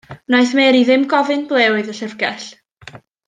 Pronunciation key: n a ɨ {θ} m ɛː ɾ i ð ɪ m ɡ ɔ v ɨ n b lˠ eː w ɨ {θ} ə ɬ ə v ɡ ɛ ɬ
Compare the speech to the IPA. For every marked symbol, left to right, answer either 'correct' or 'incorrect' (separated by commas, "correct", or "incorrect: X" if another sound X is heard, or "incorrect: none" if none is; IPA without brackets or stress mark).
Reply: correct, incorrect: ð